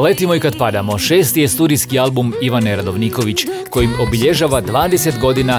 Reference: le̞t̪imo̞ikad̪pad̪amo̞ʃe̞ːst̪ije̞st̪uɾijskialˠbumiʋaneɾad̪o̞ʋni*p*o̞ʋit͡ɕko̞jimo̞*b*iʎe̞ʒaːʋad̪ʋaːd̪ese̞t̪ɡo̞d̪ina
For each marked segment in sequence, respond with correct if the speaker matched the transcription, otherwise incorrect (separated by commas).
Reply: incorrect, correct